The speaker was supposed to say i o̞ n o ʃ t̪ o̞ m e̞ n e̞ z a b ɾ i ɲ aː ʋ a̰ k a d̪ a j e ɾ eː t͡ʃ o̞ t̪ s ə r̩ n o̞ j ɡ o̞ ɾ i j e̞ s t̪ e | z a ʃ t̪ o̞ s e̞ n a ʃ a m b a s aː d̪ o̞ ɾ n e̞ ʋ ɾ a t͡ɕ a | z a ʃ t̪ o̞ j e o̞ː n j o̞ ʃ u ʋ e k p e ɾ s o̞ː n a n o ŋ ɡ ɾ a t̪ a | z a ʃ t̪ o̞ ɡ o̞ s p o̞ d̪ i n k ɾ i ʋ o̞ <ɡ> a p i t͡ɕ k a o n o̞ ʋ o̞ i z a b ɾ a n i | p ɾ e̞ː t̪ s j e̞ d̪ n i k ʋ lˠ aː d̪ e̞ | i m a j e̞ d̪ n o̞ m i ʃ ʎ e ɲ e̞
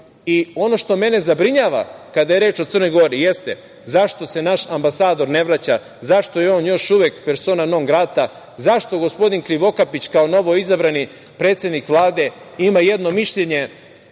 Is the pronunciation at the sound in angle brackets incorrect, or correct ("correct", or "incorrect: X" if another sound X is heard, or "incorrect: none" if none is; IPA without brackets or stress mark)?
incorrect: k